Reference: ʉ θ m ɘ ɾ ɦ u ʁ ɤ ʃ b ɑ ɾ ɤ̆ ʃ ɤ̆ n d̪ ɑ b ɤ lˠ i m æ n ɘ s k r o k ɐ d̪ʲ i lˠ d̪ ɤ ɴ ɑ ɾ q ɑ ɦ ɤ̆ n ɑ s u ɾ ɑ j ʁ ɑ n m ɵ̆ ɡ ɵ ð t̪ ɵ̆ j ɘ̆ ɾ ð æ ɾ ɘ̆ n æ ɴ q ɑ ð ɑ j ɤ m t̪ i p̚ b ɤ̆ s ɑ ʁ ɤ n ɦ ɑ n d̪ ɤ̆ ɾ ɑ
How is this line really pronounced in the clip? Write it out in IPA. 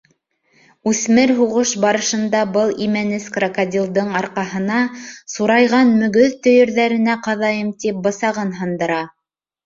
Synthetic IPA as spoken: ʉ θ m ɘ ɾ ɦ u ʁ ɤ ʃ b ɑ ɾ ɤ̆ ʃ ɤ̆ n d̪ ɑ b ɤ lˠ i m æ n ɘ s k r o k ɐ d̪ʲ i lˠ d̪ ɤ ɴ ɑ ɾ q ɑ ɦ ɤ̆ n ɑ s u ɾ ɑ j ʁ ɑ n m ɵ̆ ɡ ɵ ð t̪ ɵ̆ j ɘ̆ ɾ ð æ ɾ ɘ̆ n æ q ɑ ð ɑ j ɤ m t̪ i p̚ b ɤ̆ s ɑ ʁ ɤ n ɦ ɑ n d̪ ɤ̆ ɾ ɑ